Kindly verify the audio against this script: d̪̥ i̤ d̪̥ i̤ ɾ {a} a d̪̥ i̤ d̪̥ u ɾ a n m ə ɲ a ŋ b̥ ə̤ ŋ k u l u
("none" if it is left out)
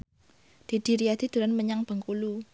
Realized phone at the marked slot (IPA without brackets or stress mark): i